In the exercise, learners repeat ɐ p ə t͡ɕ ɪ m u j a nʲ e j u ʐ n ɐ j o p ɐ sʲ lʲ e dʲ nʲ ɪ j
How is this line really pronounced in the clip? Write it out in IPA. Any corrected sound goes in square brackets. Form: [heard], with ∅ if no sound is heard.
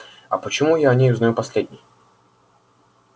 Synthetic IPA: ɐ p ə t͡ɕ ɪ m u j a nʲ e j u [z] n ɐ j [u] p ɐ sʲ lʲ e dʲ nʲ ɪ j

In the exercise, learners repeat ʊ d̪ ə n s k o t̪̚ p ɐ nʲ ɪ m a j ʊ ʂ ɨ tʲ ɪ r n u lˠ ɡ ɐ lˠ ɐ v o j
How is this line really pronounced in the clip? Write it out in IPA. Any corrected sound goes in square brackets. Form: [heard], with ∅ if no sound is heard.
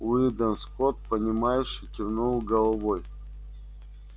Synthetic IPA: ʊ d̪ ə n s k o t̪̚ p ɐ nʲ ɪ m a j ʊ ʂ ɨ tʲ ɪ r n u lˠ ɡ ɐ lˠ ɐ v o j

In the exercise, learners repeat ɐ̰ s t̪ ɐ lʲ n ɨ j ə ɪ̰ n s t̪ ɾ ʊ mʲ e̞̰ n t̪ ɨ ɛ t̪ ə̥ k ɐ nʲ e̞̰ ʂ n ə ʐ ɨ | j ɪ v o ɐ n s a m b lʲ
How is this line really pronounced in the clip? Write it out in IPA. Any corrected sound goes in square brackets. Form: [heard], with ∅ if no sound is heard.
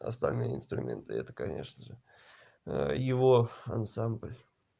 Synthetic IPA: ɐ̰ s t̪ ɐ lʲ n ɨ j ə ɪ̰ n s t̪ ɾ ʊ mʲ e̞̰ n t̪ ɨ ɛ t̪ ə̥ k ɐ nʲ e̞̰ ʂ n ə ʐ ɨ | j ɪ v o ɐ n s a m b lʲ

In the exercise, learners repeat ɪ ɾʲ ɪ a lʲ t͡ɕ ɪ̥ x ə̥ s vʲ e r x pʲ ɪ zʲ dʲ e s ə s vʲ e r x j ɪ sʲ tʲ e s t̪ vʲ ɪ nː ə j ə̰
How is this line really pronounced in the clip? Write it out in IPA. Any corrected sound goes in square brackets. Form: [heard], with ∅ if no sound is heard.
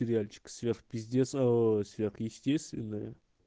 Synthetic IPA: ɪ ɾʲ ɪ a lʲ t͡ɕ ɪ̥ [k] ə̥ s vʲ e r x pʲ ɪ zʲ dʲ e s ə s vʲ e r x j ɪ sʲ tʲ e s t̪ vʲ ɪ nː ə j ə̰

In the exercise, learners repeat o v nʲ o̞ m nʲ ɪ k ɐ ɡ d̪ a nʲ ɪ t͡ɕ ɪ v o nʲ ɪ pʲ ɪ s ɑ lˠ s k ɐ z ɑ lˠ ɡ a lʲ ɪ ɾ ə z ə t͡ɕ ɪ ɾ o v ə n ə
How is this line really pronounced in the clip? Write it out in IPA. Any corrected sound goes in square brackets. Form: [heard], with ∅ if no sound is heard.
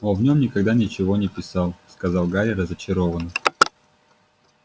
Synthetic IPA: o v nʲ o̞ m nʲ ɪ k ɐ ɡ d̪ a nʲ ɪ t͡ɕ ɪ v o nʲ ɪ pʲ ɪ s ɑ lˠ s k ɐ z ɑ lˠ ɡ a [ɾʲ] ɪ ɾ ə z ə t͡ɕ ɪ ɾ o v ə n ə

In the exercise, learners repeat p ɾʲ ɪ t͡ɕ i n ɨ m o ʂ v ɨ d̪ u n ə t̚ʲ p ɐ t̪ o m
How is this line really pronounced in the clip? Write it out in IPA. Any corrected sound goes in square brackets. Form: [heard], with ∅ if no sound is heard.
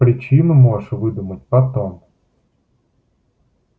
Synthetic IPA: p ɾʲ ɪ t͡ɕ i n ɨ m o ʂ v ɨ d̪ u [m] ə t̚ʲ p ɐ t̪ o m

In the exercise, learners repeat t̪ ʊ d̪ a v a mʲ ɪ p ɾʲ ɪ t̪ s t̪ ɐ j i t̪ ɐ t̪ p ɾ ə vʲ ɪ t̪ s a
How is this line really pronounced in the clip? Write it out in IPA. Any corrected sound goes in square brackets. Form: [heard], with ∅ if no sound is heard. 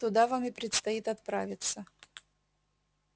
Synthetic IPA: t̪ ʊ d̪ a v a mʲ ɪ p ɾʲ ɪ t̪ s t̪ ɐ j i t̪ ɐ t̪ p ɾ [a] vʲ ɪ t̪ s [ə]

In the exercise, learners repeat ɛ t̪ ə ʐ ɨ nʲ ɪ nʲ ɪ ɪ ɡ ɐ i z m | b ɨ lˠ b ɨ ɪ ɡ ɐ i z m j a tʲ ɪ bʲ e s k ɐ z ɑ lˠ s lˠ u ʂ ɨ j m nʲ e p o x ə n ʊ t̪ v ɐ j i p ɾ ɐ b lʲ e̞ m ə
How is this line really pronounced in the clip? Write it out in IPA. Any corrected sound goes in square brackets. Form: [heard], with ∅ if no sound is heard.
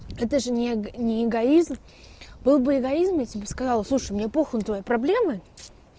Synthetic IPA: ɛ t̪ ə ʐ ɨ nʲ ɪ nʲ ɪ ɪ ɡ ɐ i z m | b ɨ lˠ b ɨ ɪ ɡ ɐ i z m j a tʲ ɪ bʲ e s k ɐ z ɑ lˠ s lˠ u ʂ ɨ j m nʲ e p o x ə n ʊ t̪ v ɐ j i p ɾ ɐ b lʲ e̞ m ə

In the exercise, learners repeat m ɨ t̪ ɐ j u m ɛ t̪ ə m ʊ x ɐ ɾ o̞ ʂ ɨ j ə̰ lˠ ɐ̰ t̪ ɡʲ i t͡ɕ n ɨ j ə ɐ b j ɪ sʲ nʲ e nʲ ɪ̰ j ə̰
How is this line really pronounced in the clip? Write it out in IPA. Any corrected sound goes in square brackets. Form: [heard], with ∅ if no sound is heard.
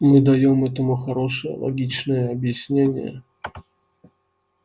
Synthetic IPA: m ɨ [d̪] ɐ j [o] m ɛ t̪ ə m ʊ x ɐ ɾ o̞ ʂ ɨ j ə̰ lˠ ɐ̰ [∅] ɡʲ i t͡ɕ n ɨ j ə ɐ b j ɪ sʲ nʲ e nʲ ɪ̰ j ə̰

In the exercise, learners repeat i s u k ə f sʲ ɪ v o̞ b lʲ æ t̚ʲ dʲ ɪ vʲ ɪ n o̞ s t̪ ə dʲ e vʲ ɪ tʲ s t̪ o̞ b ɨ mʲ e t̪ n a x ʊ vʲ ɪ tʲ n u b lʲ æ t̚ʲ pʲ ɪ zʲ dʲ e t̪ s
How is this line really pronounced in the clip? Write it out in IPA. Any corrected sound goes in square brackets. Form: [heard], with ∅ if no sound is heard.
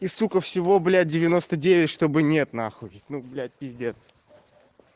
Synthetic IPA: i s u k ə f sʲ ɪ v o̞ b lʲ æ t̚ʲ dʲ ɪ vʲ ɪ n o̞ s t̪ ə dʲ e vʲ ɪ tʲ [ʂ] t̪ o̞ b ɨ [nʲ] e t̪ n a x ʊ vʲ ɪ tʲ n u b lʲ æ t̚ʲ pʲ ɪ zʲ dʲ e t̪ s

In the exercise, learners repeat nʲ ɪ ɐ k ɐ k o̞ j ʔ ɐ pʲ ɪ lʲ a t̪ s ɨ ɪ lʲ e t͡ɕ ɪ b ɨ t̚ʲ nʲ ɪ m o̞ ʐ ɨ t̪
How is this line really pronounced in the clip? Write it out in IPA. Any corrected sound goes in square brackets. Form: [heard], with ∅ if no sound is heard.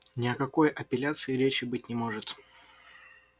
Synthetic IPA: nʲ ɪ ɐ k ɐ k o̞ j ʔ ɐ pʲ ɪ lʲ a t̪ s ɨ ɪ [ɾʲ] e t͡ɕ ɪ b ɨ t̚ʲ nʲ ɪ m o̞ ʐ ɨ t̪

